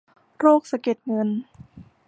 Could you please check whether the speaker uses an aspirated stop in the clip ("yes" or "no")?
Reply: no